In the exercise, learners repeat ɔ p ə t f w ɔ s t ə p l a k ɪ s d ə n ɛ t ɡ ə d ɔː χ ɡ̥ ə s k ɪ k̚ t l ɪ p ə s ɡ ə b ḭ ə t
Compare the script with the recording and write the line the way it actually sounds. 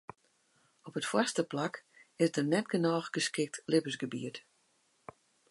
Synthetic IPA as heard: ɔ p ə t f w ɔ s t ə p l a k ɪ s d ə n ɛ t ɡ ə n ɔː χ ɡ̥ ə s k ɪ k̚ t l ɪ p ə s ɡ ə b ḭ ə t

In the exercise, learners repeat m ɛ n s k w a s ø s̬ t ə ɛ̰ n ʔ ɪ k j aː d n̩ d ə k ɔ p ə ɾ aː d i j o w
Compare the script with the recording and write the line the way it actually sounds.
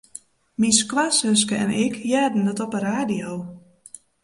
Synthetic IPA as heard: m i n s k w a s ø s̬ k ə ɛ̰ n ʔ ɪ k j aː d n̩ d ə t ɔ p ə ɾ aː d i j o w

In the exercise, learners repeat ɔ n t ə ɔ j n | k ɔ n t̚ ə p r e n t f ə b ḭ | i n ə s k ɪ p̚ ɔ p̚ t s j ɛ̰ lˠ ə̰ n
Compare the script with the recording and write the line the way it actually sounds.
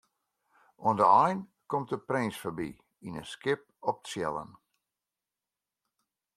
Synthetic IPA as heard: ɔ n d ə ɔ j n | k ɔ m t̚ ə p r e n s f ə b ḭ | i n ə s k ɪ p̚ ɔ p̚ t s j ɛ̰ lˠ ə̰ n

